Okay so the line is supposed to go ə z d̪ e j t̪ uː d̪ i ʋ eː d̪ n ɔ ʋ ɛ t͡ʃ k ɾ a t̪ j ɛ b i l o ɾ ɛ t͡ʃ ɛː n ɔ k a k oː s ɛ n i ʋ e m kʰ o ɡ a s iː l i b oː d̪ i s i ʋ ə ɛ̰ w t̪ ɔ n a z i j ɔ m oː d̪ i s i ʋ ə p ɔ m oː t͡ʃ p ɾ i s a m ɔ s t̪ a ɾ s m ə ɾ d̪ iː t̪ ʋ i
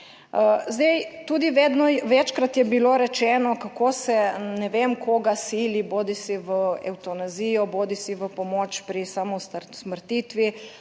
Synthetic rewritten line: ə z d̪ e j t̪ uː d̪ i ʋ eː d̪ n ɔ ʋ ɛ t͡ʃ k ɾ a t̪ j ɛ b i l o ɾ ɛ t͡ʃ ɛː n ɔ k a k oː s ɛ n ɛ ʋ e m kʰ o ɡ a s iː l i b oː d̪ i s i ʋ ə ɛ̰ w t̪ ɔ n a z i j ɔ b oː d̪ i s i ʋ ə p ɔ m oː t͡ʃ p ɾ i s a m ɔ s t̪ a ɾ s m ə ɾ t̪ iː t̪ ʋ i